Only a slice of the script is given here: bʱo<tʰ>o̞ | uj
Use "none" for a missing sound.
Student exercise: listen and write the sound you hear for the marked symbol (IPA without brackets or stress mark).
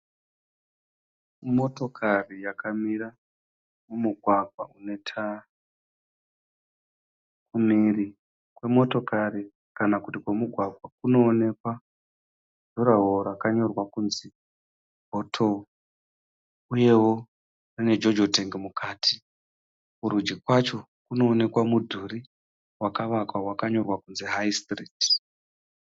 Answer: tʰ